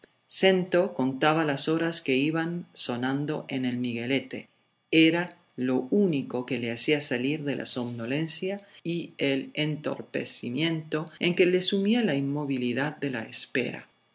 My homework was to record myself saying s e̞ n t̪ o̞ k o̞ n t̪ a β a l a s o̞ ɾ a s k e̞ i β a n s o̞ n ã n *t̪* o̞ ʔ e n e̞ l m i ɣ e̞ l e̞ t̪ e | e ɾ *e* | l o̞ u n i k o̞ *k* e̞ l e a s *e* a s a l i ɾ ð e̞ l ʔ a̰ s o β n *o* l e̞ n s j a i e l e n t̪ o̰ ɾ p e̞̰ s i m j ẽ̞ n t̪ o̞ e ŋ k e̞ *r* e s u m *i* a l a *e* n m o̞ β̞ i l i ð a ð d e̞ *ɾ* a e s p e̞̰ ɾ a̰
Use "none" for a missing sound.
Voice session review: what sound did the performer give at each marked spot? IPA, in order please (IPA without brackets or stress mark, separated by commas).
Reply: d̪, a, k, i, o, l, i, i, l